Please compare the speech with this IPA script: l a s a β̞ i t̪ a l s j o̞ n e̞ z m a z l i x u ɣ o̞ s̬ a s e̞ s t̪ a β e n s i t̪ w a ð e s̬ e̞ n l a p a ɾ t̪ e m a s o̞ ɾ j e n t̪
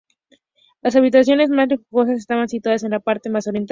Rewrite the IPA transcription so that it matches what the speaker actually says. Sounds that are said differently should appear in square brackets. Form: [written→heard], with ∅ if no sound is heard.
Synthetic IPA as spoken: l a s a β̞ i t̪ a [l→∅] s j o̞ n e̞ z m a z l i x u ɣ o̞ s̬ a s e̞ s t̪ a β [e→a] n s i t̪ w a ð [e→a] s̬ e̞ n l a p a ɾ t̪ e m a s o̞ ɾ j e n t̪